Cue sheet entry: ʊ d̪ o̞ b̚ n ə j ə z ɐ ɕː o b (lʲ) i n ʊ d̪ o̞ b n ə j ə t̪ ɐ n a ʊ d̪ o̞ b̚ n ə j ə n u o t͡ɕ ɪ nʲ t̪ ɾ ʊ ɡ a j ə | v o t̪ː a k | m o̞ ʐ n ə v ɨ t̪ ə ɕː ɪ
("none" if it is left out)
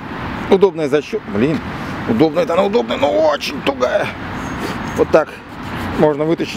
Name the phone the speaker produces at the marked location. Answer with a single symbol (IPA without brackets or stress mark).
lʲ